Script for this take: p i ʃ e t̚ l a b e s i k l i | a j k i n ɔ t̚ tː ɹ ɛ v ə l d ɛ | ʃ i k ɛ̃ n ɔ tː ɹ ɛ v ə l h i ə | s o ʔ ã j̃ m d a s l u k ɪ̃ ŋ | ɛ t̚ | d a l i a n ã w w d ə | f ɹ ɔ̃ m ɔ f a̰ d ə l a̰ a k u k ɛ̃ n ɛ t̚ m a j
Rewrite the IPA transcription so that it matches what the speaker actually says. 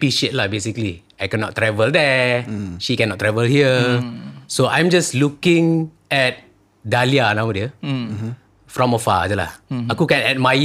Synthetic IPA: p i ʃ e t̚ l a b e s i k l i | a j k ɛ n ɔ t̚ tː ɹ ɛ v ə l d ɛ | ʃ i k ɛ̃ n ɔ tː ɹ ɛ v ə l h i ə | s o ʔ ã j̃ m d͡ʒ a s l u k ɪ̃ ŋ | ɛ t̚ | d a l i a n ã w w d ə | f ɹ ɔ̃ m ɔ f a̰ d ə l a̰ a k u k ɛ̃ n ɛ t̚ m a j